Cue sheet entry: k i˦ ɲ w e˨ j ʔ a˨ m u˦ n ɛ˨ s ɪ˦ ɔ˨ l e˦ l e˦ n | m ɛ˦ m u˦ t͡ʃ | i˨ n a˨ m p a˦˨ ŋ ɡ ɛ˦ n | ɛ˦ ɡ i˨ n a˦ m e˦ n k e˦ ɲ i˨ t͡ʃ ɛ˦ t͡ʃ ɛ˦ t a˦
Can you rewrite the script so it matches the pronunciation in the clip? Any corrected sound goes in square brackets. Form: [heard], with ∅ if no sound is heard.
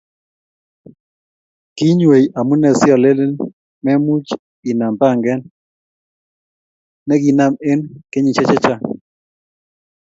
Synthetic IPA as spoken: k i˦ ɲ w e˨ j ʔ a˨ m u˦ n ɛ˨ s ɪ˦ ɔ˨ l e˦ l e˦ n | m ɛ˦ m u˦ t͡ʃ | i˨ n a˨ m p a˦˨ ŋ ɡ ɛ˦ n | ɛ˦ ɡ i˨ n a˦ m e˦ n k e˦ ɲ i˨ t͡ʃ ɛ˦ t͡ʃ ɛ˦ [t͡ʃ] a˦